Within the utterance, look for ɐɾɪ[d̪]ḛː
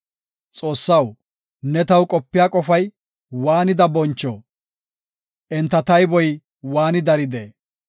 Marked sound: correct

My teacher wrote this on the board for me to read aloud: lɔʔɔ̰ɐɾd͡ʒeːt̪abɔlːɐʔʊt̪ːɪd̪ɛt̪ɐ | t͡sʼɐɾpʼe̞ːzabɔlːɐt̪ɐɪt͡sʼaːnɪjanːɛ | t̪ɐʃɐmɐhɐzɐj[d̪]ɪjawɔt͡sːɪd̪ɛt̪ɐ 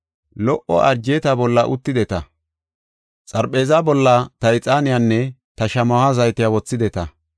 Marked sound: incorrect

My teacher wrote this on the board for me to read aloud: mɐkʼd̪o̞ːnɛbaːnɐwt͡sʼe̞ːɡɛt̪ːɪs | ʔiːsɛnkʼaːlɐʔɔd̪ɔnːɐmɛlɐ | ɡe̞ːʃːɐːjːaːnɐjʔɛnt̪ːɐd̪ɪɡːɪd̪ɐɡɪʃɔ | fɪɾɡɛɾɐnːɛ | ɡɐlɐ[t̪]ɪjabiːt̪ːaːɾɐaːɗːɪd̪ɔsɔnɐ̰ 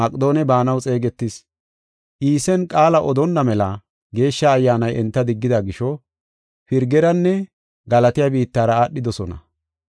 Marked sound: correct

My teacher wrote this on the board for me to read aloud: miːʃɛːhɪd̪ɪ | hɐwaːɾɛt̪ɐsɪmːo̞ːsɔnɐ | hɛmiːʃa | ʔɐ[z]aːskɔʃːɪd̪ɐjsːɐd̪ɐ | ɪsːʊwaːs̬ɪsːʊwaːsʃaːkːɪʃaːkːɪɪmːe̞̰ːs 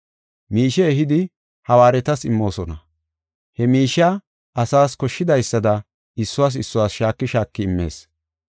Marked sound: incorrect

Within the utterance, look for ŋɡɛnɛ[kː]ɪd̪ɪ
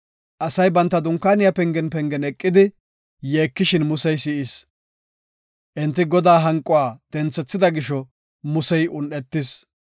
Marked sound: incorrect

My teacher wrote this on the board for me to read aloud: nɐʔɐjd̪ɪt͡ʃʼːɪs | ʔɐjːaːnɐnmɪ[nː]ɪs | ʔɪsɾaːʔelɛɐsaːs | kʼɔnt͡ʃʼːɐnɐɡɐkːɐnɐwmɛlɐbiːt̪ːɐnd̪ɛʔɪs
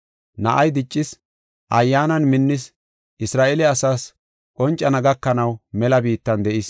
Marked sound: correct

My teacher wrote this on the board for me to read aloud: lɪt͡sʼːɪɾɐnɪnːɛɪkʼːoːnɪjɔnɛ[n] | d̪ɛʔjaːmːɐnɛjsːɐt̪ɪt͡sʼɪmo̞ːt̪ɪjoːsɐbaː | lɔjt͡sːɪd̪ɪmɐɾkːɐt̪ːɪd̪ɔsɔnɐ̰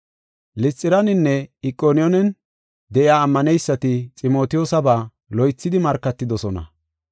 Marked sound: correct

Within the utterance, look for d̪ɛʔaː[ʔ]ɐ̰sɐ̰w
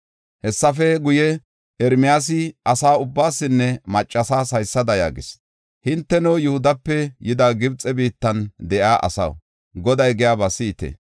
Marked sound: correct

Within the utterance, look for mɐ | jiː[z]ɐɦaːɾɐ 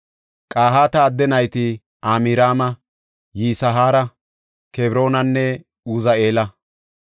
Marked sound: incorrect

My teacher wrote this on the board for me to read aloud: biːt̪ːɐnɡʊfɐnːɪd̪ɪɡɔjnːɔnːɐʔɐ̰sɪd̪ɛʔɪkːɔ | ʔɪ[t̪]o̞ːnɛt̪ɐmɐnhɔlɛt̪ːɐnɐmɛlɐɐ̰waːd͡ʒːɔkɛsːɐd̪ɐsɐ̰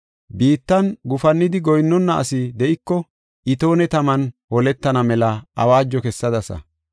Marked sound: correct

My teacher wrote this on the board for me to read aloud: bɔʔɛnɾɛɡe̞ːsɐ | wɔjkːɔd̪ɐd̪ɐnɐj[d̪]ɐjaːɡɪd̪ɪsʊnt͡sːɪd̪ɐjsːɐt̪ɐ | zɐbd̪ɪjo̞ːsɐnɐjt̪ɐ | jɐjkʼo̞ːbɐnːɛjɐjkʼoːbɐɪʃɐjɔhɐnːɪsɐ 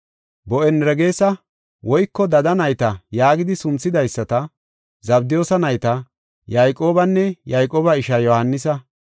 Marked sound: incorrect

